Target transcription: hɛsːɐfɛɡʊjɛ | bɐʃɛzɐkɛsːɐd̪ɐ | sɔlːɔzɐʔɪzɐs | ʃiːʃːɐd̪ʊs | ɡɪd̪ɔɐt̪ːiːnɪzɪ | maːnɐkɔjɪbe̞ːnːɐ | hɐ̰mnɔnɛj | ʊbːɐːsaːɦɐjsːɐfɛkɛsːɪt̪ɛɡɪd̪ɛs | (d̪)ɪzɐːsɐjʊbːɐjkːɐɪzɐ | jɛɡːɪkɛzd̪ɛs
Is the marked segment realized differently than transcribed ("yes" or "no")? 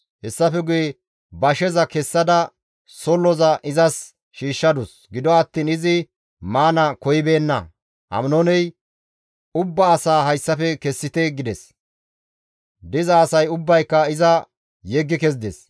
no